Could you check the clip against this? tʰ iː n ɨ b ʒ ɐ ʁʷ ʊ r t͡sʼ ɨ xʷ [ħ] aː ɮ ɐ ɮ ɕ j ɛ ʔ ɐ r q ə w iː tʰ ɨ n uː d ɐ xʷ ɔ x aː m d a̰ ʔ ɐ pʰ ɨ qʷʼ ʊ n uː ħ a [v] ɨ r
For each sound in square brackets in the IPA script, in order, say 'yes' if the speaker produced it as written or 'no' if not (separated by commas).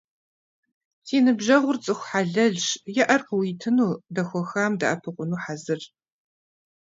yes, no